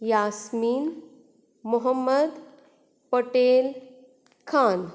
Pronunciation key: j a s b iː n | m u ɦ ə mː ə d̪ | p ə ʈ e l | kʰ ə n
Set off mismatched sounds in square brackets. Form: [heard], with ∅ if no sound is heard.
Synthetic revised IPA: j a s [m] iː n | m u ɦ ə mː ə d̪ | p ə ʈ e l | kʰ [a] n